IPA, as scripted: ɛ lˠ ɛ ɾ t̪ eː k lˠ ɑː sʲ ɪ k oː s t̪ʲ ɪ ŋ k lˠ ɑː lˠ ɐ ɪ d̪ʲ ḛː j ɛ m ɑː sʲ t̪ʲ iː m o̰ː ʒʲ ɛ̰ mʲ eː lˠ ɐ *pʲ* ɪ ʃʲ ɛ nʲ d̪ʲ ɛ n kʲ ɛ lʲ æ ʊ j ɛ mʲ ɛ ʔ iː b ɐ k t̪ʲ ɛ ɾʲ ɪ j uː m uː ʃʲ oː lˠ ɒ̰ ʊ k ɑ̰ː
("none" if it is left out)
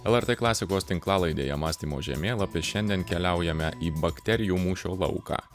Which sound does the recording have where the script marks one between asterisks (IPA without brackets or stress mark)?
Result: pʲ